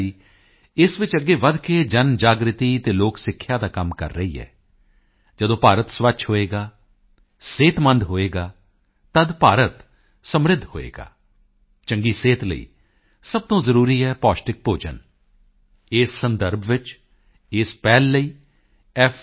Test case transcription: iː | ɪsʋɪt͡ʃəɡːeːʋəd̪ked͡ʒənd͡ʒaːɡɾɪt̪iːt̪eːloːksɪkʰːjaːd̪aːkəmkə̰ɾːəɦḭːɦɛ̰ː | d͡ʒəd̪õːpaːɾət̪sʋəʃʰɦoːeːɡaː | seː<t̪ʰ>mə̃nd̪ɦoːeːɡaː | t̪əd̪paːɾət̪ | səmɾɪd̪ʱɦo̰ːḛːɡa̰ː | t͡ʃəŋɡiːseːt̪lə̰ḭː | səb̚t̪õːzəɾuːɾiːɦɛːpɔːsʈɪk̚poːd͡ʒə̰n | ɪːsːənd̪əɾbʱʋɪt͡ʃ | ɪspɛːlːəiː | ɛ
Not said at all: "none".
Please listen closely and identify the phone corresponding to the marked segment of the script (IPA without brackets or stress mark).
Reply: t̪